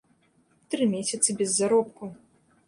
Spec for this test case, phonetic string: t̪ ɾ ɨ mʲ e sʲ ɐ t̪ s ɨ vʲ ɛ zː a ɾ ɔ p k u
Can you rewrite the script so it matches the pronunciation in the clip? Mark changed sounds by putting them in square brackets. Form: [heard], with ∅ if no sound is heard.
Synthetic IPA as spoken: t̪ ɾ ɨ mʲ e sʲ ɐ t̪ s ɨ [bʲ] ɛ zː a ɾ ɔ p k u